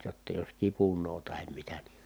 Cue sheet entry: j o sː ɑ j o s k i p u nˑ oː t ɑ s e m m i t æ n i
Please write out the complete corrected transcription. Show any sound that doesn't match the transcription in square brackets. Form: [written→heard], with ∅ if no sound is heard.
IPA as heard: j o [sː→tː] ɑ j o s k i p u nˑ oː t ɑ [s→h] e m m i t æ n i